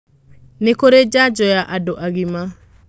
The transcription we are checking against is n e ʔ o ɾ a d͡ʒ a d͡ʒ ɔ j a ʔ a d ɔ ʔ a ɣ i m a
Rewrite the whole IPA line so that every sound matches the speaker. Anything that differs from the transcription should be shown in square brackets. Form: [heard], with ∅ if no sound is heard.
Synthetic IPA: n e [k] o ɾ [e] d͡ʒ a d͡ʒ ɔ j a ʔ a d [o] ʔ a ɣ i m a